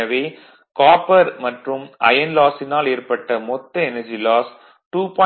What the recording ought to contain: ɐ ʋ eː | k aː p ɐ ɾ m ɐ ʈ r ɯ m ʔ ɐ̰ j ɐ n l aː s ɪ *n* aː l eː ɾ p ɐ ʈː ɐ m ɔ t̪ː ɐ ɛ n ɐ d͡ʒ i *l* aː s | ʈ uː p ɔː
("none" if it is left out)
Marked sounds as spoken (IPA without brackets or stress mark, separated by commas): n, l